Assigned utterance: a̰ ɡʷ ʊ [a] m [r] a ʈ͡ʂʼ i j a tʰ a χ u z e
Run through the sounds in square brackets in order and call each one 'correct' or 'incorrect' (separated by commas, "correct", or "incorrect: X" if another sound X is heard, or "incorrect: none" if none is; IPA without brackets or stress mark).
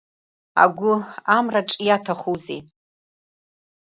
correct, correct